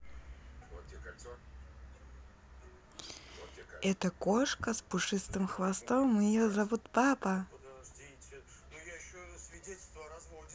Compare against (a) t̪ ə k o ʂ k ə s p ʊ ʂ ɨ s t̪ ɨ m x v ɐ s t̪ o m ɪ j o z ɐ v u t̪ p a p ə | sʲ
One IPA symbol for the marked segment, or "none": ɛ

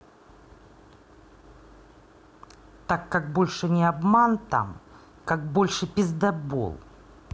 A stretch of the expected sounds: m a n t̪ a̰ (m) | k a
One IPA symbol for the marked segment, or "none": m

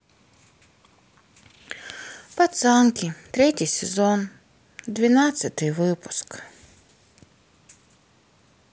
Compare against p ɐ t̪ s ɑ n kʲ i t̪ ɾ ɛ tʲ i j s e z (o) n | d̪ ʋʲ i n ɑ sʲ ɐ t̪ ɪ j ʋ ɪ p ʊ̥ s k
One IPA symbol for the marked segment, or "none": ɔ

